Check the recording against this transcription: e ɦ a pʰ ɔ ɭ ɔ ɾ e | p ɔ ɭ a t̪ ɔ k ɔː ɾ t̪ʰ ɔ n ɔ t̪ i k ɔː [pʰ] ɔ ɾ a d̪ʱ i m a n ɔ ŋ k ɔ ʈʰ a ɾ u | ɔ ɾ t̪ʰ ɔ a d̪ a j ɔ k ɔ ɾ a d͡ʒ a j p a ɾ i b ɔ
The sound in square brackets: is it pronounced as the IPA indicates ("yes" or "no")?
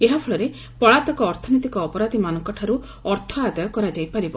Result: no